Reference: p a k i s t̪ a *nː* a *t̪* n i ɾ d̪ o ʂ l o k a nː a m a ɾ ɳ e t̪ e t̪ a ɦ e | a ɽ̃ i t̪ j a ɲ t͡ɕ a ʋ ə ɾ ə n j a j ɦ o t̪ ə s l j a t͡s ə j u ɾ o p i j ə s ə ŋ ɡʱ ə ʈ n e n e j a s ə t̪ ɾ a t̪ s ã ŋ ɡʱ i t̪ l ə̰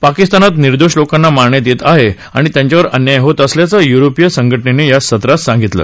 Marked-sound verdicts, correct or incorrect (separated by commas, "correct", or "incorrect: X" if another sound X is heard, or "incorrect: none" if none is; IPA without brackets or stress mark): incorrect: n, correct